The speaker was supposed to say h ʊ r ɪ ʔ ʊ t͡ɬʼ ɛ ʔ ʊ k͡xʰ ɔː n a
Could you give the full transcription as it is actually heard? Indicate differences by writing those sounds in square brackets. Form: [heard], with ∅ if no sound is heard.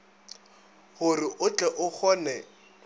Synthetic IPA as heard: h ʊ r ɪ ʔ ʊ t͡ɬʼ ɛ ʔ ʊ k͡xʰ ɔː n [ɛ]